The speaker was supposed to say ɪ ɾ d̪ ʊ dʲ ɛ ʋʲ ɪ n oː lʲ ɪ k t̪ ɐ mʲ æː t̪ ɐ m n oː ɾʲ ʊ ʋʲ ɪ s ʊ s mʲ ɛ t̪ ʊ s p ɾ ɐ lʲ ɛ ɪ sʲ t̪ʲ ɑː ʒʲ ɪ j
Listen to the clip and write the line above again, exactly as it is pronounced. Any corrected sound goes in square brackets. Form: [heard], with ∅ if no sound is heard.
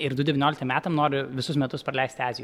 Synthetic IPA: ɪ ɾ d̪ ʊ dʲ ɛ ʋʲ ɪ n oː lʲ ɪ k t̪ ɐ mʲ æː t̪ ɐ m n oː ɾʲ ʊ ʋʲ ɪ s ʊ s mʲ ɛ t̪ ʊ s p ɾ ɐ lʲ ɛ ɪ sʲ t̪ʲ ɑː [zʲ] ɪ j

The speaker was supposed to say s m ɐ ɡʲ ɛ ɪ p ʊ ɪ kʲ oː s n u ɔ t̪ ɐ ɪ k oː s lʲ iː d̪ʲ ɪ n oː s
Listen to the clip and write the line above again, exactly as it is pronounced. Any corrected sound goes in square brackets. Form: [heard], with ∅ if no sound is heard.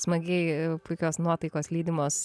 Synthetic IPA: s m ɐ ɡʲ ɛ ɪ p ʊ ɪ kʲ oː s n u ɔ t̪ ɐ ɪ k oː s lʲ iː d̪ʲ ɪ [m] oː s

